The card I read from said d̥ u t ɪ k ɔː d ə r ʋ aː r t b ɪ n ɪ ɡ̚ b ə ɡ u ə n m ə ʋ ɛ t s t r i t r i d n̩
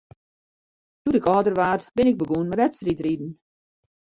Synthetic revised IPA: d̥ u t ɪ k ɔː d ə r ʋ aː r t b ɪ n ɪ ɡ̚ b ə ɡ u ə n m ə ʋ ɛ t s t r i t r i d n̩